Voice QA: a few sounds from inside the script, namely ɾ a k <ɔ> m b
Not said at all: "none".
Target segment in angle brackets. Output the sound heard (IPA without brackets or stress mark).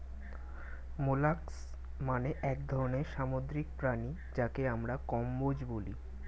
ɔ